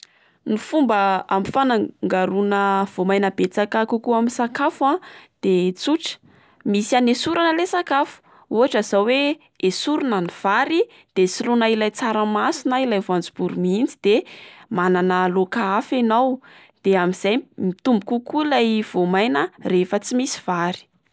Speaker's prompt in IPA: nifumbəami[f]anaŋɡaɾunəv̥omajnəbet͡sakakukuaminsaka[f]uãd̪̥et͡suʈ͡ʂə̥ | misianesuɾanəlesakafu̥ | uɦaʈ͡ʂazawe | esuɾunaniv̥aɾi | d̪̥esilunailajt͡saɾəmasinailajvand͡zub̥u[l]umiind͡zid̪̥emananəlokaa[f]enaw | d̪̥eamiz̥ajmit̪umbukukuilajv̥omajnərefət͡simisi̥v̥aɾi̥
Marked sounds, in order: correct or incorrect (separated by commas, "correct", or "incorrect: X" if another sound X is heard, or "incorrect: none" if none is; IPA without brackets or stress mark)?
correct, correct, incorrect: ɾ, correct